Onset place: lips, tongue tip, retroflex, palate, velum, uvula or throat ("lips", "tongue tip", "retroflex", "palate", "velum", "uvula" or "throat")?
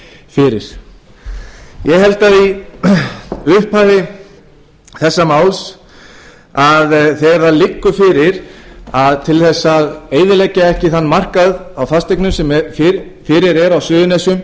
lips